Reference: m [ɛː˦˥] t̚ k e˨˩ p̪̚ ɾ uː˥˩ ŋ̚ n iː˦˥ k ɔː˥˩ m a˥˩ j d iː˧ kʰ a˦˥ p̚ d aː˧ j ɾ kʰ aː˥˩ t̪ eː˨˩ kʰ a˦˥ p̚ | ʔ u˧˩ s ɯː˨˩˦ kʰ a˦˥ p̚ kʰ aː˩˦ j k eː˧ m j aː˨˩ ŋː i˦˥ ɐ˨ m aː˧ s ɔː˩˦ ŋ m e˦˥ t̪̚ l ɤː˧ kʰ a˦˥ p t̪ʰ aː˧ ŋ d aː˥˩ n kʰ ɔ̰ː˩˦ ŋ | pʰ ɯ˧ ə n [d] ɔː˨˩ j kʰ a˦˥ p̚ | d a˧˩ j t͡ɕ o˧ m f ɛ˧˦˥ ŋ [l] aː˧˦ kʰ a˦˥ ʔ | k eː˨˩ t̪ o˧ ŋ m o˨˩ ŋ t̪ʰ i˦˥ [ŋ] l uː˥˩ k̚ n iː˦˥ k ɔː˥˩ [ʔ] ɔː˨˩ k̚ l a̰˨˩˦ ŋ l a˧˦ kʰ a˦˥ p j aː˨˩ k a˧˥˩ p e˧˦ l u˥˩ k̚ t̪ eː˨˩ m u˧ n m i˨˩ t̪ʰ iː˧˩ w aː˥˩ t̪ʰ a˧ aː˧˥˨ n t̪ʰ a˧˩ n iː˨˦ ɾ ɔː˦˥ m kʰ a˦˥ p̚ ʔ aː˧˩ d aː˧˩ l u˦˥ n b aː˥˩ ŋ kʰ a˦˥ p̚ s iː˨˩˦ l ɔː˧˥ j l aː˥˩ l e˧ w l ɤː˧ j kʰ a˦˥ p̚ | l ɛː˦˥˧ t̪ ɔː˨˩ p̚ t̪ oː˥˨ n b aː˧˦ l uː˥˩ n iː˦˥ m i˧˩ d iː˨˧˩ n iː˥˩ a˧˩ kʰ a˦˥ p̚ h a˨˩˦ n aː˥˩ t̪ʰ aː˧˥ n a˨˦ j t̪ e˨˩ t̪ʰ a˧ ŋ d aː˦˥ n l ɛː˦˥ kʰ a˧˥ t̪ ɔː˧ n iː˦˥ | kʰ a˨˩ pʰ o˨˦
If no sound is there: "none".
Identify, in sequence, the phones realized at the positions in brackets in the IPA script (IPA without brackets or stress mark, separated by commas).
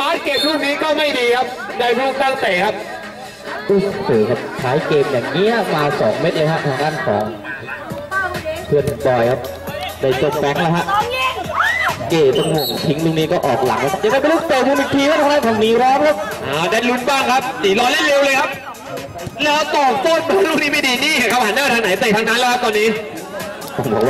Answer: aː˦˥, b, l, ŋ, ʔ